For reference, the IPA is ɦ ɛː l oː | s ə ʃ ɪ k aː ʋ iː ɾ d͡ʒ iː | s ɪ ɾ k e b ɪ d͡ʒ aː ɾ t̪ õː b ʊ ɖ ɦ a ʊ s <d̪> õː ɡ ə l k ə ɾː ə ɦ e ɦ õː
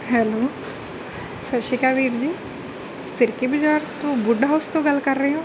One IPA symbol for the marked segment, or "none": t̪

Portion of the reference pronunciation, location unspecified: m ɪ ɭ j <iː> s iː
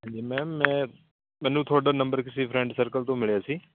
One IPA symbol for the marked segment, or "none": aː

